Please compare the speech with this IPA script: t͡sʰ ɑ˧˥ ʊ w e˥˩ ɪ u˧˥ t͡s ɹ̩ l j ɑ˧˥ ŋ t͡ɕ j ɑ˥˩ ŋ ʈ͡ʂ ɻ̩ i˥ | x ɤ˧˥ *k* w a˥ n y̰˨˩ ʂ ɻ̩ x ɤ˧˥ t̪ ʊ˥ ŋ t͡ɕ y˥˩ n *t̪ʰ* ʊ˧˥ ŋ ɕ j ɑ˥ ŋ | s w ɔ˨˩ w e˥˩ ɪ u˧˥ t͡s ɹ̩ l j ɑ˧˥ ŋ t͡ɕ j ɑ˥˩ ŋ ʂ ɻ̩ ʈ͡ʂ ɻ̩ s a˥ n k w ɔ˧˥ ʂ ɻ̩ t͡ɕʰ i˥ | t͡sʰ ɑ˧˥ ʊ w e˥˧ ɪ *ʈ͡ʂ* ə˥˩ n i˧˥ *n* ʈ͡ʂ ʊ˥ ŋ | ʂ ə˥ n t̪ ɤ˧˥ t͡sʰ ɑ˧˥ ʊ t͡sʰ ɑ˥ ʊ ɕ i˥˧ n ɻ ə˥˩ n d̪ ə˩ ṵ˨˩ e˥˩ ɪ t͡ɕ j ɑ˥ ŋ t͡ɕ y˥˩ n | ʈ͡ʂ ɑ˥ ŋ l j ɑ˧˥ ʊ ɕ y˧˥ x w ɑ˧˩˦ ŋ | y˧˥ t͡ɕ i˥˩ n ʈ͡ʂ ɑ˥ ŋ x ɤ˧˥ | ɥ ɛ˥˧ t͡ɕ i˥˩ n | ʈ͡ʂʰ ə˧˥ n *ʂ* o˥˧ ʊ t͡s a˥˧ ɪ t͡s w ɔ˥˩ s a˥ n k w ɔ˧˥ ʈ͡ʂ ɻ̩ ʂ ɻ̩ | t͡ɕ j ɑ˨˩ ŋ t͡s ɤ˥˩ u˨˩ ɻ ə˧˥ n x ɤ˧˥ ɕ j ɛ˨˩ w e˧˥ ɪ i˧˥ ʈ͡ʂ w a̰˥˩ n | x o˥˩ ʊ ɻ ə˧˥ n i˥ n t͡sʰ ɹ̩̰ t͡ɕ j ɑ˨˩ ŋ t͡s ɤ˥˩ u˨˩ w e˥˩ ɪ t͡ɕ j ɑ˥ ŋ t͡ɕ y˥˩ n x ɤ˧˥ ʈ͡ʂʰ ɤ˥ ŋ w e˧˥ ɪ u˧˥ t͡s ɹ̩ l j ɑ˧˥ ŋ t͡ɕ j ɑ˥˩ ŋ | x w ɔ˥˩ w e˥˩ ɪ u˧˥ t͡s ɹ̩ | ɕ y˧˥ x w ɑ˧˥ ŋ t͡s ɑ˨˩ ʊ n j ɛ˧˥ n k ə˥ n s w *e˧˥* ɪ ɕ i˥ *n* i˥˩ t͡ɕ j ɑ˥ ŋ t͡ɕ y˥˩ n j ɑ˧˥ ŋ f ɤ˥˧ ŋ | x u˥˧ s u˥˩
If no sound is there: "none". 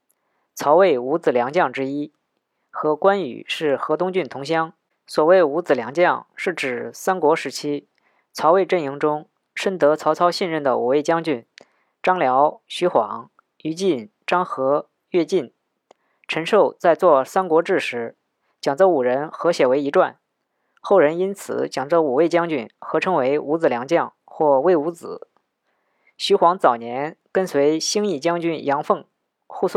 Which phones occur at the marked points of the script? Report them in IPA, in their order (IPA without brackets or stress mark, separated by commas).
k, t̪ʰ, ʈ͡ʂ, ŋ, ʂ, e˧˥, ŋ